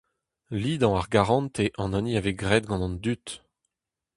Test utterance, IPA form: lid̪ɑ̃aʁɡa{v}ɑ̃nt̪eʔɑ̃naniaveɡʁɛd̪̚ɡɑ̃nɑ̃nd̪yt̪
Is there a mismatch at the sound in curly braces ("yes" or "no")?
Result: yes